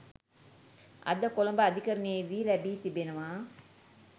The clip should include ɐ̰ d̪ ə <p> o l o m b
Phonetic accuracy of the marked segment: incorrect: k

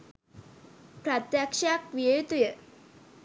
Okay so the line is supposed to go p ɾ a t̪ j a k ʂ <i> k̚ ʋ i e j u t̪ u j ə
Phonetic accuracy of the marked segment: incorrect: a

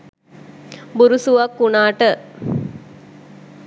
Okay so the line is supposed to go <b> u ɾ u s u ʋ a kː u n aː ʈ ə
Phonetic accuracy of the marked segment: correct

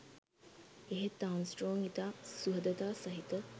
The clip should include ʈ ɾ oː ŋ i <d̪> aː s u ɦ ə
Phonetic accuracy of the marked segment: incorrect: t̪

